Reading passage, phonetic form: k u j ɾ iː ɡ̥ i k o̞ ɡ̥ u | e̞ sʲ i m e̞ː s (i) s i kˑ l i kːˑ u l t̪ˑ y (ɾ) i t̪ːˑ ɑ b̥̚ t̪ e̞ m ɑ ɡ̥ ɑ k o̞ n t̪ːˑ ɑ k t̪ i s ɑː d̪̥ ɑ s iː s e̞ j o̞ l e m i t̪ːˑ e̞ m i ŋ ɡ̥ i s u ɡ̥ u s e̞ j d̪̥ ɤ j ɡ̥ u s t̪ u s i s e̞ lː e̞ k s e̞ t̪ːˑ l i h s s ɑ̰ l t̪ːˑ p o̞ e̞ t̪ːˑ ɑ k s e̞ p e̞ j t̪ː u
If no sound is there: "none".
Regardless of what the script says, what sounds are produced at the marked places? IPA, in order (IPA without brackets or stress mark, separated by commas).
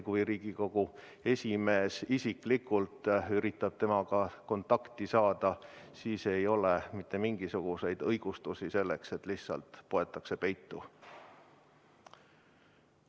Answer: i, ɾ